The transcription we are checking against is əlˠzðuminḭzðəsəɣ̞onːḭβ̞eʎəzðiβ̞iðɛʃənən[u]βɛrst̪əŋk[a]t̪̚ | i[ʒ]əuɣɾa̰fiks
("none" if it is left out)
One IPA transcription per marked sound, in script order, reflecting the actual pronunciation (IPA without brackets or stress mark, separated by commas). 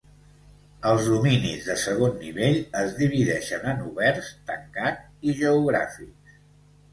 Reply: u, a, ʒ